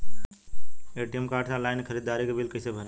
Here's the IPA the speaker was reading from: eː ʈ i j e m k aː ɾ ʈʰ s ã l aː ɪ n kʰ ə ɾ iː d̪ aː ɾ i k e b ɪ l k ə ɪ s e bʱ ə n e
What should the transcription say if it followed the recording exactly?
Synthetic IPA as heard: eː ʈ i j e m k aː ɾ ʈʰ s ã l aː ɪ n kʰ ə ɾ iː d̪ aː ɾ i k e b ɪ l k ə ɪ s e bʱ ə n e